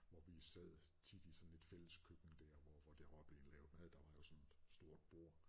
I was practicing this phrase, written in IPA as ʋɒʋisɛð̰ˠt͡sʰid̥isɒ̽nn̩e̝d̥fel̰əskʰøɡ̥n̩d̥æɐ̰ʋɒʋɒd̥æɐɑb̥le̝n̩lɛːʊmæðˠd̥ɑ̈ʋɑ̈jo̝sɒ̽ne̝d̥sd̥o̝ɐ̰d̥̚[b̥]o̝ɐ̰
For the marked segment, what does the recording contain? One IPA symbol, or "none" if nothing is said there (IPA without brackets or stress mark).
b̥